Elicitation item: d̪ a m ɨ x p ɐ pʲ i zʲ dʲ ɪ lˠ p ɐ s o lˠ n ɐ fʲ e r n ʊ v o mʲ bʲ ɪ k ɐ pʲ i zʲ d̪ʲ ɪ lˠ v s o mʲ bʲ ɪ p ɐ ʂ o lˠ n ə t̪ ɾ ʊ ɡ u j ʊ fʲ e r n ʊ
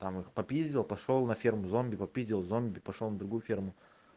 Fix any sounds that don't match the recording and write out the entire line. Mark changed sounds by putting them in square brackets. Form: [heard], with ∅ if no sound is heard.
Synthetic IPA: [t̪] a m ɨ x p ɐ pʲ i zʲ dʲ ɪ lˠ p ɐ [ʂ] o lˠ n ɐ fʲ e r [m] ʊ [z] o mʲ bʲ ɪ [p] ɐ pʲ i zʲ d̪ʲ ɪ lˠ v [z] o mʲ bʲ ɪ p ɐ ʂ o lˠ n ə [d̪] ɾ ʊ ɡ u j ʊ fʲ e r [m] ʊ